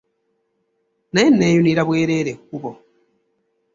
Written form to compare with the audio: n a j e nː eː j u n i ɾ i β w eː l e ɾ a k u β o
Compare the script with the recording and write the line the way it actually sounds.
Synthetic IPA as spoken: n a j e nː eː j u n i ɾ a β w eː ɾ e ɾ e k u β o